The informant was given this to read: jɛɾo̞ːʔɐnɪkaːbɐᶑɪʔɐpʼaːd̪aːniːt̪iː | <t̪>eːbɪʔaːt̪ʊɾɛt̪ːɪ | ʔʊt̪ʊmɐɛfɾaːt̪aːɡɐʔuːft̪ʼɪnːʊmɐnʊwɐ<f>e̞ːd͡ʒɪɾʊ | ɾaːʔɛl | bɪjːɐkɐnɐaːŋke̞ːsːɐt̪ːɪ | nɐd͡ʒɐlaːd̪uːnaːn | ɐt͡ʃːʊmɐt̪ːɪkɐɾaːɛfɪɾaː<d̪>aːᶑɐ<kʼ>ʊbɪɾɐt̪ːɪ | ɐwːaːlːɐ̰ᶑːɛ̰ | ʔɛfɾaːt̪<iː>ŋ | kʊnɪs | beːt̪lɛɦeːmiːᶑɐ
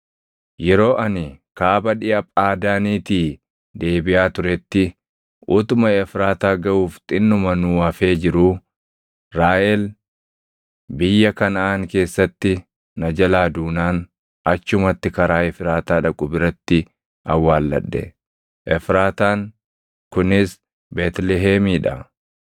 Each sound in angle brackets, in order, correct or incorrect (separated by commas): incorrect, correct, incorrect, correct, incorrect